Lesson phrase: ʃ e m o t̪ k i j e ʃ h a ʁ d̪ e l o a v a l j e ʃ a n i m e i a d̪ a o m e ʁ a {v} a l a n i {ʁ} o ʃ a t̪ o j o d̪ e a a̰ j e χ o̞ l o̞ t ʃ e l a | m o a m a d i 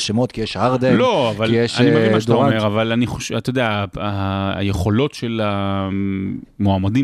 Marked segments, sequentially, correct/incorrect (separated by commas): correct, incorrect